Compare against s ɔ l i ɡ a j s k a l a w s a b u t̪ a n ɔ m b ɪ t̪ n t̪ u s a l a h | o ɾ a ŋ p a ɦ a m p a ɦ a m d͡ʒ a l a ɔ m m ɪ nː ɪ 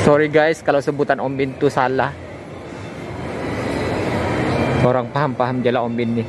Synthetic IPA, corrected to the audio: s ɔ ɾ i ɡ a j s k a l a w s ə b u t̪ a n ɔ m b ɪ n t̪ u s a l a h | o ɾ a ŋ p a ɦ a m p a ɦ a m d͡ʒ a l a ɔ m b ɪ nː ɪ